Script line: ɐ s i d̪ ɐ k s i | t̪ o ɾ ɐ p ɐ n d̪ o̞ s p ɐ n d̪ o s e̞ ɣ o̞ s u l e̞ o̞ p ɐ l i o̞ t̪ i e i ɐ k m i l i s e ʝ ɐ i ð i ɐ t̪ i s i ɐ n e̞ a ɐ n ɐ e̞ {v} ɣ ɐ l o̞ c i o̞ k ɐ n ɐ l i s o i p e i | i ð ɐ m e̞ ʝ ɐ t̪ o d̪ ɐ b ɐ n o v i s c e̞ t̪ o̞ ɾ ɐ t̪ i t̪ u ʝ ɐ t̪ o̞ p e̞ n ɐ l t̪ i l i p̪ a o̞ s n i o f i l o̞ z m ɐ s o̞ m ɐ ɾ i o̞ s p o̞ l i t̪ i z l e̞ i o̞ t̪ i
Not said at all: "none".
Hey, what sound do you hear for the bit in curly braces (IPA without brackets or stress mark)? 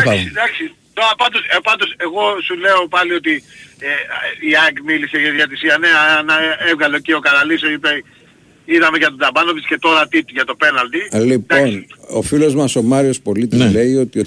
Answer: v